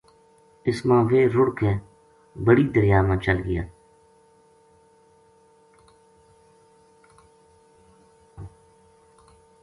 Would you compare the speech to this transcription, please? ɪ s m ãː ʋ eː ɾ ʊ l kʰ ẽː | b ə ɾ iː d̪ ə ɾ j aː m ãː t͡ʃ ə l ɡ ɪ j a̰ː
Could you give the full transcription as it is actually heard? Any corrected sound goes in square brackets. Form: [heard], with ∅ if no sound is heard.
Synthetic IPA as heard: ɪ s m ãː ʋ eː ɾ ʊ [ɽ] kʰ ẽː | b ə [ɽ] iː d̪ ə ɾ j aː m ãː t͡ʃ ə l ɡ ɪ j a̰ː